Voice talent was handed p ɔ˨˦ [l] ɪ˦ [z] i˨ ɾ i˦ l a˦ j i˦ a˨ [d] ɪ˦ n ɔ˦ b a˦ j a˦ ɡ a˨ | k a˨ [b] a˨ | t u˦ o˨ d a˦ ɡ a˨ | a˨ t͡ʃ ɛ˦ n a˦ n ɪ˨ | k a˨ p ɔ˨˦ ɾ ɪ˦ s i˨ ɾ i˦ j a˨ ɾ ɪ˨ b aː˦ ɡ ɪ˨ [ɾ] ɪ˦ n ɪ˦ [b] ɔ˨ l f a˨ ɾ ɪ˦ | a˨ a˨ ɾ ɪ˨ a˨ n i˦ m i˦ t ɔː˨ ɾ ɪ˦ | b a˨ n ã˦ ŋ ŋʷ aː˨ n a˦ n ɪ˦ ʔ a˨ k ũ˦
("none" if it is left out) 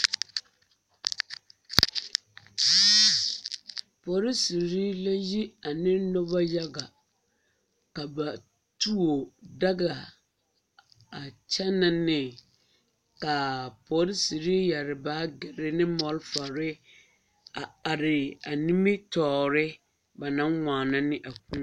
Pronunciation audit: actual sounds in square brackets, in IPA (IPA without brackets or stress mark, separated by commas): ɾ, s, n, b, ɾ, m